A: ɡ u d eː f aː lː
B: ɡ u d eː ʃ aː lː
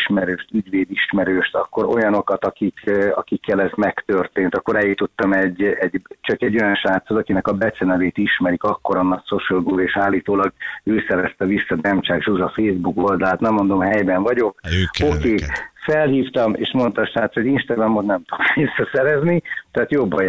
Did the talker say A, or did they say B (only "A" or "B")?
B